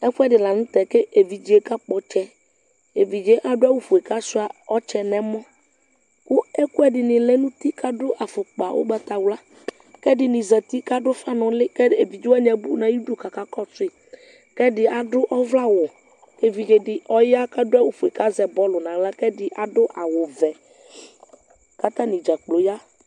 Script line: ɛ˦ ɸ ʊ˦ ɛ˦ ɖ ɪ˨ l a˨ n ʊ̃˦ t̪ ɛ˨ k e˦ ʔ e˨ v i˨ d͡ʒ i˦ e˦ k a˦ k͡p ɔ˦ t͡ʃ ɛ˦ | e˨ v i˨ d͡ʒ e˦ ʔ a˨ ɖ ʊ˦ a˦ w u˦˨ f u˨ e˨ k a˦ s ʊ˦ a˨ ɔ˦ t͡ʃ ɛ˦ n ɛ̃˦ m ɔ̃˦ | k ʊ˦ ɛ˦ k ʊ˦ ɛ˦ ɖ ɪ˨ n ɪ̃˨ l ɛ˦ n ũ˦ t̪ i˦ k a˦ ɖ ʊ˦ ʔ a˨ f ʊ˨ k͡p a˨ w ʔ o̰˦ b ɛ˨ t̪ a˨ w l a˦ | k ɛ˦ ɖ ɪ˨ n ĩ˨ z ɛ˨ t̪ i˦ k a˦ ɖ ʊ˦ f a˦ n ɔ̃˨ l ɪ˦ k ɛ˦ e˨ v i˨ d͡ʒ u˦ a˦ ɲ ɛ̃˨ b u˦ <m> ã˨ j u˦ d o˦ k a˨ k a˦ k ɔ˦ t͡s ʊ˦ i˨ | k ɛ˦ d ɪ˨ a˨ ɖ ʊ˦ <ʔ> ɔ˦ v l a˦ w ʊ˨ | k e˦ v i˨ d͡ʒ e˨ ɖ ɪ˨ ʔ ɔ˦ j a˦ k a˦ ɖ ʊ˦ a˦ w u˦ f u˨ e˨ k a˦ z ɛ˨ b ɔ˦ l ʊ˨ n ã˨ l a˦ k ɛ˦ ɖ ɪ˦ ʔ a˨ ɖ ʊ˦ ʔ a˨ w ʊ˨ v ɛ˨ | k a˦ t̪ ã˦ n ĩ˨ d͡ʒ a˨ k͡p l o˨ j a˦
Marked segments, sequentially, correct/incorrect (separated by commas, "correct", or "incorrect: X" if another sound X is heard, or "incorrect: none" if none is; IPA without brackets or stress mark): incorrect: n, correct